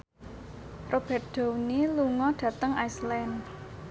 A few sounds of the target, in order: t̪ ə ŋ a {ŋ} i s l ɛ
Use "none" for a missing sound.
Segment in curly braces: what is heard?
none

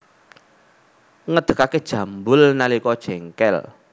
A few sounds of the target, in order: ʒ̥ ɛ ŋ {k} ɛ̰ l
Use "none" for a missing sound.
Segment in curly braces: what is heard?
k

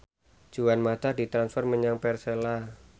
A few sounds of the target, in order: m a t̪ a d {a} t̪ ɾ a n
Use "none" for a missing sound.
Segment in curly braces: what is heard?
i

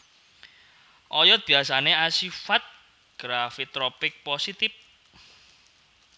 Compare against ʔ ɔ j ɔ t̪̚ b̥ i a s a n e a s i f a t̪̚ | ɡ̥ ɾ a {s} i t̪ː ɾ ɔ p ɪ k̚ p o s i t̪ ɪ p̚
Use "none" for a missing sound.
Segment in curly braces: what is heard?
f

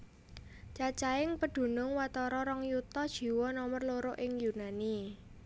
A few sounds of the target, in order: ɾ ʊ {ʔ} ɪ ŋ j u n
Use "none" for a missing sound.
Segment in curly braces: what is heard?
ʔ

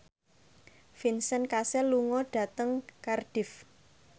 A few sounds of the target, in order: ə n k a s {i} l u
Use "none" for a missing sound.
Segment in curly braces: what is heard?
ɛ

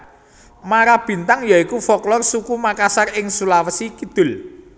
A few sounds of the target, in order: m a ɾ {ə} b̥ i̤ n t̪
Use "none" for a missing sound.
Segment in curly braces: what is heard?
a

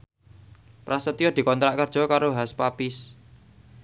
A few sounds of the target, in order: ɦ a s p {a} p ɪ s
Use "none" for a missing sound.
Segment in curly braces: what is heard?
a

